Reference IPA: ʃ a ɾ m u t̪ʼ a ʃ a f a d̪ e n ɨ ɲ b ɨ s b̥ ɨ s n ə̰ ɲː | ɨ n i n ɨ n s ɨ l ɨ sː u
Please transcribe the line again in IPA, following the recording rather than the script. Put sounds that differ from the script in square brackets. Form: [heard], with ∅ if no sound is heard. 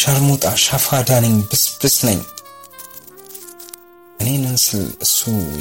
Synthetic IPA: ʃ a ɾ m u t̪ʼ a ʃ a f a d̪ [a] n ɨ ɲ b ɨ s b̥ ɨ s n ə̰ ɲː | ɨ n [e] n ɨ n s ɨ l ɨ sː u